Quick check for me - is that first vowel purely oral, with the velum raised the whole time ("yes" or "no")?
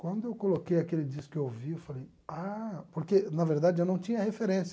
no